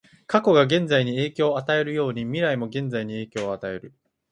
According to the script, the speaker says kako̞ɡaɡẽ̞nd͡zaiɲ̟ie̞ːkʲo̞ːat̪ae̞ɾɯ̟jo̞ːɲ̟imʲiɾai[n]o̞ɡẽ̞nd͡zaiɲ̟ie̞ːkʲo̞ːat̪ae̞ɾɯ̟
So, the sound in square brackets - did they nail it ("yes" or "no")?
no